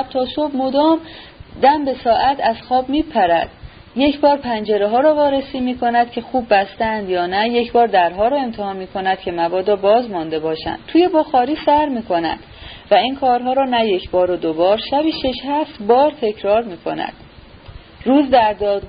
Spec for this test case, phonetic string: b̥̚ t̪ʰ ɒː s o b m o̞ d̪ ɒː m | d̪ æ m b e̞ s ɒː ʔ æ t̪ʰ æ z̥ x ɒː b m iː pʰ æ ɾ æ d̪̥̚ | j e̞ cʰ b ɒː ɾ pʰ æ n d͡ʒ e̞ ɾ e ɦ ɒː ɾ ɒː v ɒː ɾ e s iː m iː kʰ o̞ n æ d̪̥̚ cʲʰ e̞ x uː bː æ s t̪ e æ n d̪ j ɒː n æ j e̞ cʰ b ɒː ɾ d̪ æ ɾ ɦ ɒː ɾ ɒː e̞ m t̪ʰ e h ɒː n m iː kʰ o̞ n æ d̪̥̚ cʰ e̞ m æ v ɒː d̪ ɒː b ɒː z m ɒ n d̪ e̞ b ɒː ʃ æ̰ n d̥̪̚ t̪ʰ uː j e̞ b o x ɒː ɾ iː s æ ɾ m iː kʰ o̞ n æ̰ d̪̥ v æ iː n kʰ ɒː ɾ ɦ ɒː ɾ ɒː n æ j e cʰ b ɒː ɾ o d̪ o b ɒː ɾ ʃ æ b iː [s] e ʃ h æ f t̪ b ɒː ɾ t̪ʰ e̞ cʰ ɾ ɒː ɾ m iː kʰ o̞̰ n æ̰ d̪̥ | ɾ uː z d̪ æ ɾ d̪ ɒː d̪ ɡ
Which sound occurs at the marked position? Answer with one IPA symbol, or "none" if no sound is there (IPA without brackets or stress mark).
ʃ